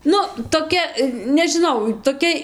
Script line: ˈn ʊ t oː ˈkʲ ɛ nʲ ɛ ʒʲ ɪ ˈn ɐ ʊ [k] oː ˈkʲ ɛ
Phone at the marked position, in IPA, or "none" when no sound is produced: t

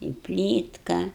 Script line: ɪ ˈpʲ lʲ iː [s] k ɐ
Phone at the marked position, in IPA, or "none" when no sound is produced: t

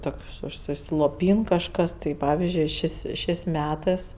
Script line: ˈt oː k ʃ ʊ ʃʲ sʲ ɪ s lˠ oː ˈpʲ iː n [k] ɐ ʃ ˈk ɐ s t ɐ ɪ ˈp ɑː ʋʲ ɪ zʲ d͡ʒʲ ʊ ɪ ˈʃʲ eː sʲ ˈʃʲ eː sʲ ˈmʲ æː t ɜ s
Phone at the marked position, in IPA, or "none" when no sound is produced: k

